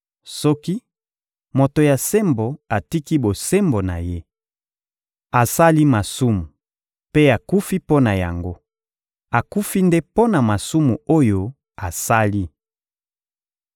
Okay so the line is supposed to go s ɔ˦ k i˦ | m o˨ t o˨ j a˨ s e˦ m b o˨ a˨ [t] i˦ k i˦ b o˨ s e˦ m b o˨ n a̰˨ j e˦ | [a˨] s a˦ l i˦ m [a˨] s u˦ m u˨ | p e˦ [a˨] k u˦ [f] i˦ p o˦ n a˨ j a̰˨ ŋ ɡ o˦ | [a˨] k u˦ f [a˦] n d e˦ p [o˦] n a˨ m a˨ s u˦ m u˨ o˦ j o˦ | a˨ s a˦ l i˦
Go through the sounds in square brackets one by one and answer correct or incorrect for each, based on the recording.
correct, correct, correct, correct, correct, correct, incorrect, correct

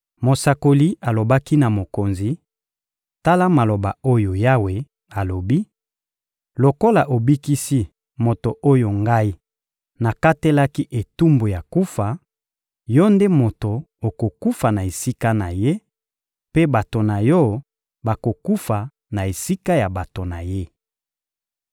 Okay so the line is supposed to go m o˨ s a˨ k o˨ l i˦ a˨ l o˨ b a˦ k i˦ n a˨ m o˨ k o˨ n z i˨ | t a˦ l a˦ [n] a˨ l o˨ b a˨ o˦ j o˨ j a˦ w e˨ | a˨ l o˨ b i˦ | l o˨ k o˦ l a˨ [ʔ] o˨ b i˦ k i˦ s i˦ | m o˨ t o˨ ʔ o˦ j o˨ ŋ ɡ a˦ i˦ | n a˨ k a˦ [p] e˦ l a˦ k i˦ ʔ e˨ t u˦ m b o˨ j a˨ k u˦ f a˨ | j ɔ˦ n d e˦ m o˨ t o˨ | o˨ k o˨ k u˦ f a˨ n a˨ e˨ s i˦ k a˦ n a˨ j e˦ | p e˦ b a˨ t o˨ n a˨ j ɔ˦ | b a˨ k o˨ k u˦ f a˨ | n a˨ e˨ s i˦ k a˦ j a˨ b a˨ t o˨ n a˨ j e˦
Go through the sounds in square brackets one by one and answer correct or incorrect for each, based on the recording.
incorrect, correct, incorrect

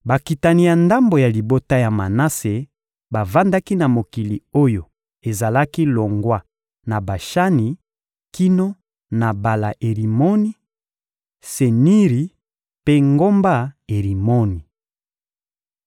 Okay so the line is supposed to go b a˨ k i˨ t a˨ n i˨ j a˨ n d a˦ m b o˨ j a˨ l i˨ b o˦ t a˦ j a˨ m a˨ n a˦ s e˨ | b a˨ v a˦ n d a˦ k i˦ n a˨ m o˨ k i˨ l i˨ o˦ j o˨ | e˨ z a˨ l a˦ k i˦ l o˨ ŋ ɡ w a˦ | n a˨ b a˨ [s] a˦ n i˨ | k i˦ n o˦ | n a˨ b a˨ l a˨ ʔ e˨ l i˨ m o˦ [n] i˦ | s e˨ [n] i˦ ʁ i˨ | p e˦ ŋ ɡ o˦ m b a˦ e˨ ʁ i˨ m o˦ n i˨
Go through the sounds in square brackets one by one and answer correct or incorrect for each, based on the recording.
incorrect, correct, correct

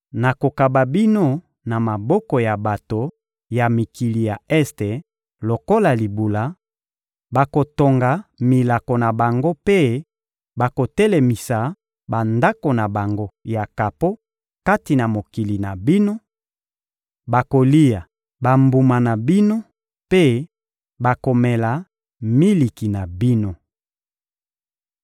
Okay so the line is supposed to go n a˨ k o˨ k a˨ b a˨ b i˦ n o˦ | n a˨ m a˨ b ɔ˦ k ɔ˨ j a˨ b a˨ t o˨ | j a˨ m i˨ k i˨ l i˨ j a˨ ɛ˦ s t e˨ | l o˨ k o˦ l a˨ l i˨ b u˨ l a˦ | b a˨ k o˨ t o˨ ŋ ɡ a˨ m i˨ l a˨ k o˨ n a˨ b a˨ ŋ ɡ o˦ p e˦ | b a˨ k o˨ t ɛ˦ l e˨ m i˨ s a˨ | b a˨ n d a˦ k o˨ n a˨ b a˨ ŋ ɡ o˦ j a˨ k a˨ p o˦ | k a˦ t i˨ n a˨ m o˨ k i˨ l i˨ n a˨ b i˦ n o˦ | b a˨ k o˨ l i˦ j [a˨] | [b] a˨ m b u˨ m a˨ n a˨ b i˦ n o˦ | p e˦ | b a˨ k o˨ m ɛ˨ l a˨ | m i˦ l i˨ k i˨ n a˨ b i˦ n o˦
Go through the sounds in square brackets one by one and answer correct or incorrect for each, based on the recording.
correct, correct

